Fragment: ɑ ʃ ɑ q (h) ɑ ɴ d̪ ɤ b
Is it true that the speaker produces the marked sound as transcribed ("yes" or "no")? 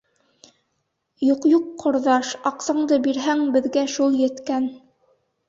no